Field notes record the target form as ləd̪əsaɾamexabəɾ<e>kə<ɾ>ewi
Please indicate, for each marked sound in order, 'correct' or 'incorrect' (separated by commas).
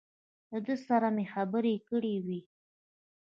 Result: correct, incorrect